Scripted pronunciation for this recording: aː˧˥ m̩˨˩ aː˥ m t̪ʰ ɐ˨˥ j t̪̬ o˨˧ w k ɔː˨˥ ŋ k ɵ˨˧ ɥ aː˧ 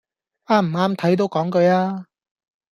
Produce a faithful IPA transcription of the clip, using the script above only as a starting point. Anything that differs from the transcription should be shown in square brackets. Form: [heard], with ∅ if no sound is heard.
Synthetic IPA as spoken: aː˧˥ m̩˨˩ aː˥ m t̪ʰ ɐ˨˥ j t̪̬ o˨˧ w k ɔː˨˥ ŋ k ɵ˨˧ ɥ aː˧